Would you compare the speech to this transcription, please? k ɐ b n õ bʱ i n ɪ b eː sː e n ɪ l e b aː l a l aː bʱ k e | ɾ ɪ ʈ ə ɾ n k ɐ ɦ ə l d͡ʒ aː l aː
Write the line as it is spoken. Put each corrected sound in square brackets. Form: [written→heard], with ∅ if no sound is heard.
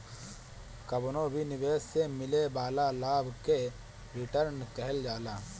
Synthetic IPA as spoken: k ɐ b n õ bʱ i n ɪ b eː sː e [n→m] ɪ l e b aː l a l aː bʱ k e | ɾ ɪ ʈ ə ɾ n k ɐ ɦ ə l d͡ʒ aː l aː